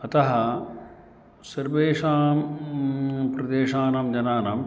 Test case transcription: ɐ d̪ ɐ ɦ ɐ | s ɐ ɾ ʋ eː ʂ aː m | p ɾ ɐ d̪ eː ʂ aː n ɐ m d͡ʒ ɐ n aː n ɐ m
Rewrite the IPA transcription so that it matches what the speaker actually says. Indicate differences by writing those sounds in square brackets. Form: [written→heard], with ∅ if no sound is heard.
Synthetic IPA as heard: ɐ [d̪→t̪] ɐ ɦ ɐ | s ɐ ɾ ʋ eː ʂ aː m | p ɾ ɐ d̪ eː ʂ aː n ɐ m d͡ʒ ɐ n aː n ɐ m